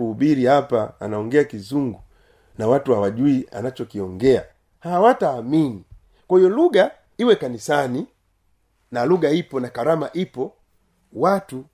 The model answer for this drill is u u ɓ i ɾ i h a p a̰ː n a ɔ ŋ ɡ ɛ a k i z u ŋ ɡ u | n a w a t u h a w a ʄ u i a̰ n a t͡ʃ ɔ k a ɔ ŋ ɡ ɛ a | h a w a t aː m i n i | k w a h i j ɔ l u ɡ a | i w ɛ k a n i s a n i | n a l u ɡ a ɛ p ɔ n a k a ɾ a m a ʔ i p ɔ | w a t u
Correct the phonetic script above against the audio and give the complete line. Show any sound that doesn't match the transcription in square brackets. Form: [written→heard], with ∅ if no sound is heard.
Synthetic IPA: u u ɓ i ɾ i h a p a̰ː n a ɔ ŋ ɡ ɛ a k i z u ŋ ɡ u | n a w a t u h a w a ʄ u i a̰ n a t͡ʃ ɔ k [a→i] ɔ ŋ ɡ ɛ a | h a w a t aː m i n i | k w a h i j ɔ l u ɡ a | i w ɛ k a n i s a n i | n a l u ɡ a [ɛ→i] p ɔ n a k a ɾ a m a ʔ i p ɔ | w a t u